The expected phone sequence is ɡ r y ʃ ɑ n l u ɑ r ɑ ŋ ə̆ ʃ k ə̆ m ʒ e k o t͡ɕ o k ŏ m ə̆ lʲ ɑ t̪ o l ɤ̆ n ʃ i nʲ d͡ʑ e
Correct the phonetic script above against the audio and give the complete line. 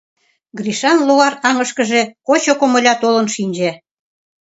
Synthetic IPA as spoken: ɡ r i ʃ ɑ n l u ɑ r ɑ ŋ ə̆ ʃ k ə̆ ʒ e k o t͡ɕ o k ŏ m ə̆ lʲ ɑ t̪ o l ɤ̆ n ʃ i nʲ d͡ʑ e